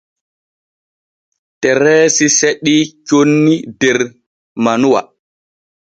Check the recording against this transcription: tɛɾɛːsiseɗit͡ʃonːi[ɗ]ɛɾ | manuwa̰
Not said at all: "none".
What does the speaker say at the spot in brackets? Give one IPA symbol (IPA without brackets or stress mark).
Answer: d